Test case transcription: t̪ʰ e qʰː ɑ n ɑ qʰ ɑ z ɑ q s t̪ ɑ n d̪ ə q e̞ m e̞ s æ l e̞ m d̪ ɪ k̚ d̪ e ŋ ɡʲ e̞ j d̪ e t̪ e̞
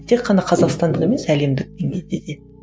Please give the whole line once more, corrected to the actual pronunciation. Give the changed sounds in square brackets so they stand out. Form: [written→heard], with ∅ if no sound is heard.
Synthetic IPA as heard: t̪ʰ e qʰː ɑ n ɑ qʰ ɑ z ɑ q s t̪ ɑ n d̪ ə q e̞ m e̞ s æ l e̞ m d̪ ɪ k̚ d̪ e ŋ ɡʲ e̞ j d̪ e [t̪→d̪] e̞